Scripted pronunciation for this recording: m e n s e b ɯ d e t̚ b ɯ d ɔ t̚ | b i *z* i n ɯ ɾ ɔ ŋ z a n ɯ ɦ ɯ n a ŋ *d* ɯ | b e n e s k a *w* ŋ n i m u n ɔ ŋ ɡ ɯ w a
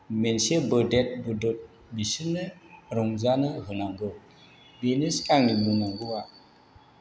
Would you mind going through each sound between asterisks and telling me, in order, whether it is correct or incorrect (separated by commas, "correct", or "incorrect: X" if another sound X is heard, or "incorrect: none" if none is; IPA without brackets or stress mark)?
incorrect: s, incorrect: ɡ, incorrect: none